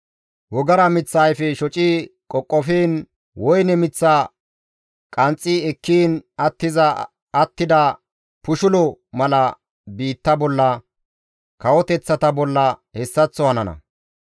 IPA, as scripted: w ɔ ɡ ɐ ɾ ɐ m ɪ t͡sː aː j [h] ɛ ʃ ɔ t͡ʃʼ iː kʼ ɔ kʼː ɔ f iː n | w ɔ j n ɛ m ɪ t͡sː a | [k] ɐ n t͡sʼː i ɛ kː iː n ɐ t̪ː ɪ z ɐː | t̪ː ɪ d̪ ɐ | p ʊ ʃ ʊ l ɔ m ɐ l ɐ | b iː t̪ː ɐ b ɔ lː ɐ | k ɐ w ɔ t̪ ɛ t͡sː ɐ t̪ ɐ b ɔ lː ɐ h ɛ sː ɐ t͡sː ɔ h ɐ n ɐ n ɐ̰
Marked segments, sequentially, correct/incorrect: incorrect: f, incorrect: kʼ

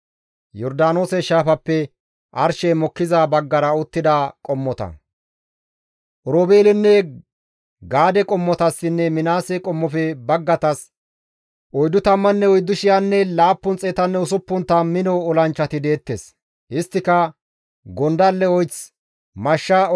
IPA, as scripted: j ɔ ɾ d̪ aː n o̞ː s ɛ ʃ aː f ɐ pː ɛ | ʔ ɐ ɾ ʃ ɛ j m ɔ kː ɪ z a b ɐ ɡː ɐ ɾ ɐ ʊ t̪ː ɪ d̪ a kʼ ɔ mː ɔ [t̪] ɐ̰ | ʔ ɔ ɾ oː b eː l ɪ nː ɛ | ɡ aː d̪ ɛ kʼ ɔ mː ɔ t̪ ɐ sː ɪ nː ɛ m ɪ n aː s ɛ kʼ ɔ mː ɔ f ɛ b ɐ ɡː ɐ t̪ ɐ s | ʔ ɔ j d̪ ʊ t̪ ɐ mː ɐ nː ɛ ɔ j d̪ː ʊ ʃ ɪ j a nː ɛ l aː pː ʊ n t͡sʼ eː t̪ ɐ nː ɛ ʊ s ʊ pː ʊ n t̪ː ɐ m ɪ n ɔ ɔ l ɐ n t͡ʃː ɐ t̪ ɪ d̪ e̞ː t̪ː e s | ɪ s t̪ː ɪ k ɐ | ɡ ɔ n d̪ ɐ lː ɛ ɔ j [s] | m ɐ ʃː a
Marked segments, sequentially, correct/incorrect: correct, incorrect: t͡s

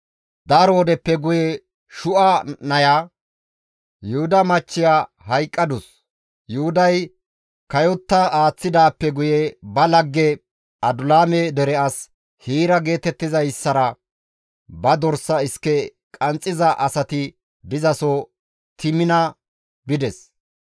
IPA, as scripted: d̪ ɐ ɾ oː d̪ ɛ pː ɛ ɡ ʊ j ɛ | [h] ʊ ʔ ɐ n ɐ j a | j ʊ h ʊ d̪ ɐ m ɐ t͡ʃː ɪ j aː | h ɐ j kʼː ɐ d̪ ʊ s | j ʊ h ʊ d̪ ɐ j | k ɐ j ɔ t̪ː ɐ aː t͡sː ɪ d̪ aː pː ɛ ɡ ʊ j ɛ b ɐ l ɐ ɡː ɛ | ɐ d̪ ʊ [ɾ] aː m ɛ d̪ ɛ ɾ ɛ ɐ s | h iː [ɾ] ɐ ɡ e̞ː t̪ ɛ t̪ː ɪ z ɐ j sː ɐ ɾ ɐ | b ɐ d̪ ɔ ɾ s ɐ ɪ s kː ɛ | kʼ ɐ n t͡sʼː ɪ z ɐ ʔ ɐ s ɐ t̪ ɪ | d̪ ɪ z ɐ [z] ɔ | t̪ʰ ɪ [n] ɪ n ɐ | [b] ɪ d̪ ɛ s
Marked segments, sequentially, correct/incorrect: incorrect: ʃ, incorrect: l, correct, incorrect: s, incorrect: m, correct

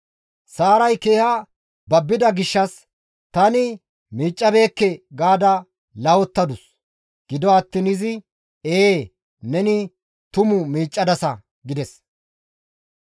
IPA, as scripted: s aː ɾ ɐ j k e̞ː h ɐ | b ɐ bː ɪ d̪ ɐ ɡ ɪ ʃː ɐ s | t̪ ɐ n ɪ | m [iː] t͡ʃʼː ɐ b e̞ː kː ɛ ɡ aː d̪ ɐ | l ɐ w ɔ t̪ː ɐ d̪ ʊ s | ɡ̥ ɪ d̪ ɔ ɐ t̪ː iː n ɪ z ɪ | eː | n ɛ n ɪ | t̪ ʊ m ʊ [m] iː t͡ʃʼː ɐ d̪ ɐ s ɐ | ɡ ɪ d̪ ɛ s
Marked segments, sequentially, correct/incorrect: correct, correct

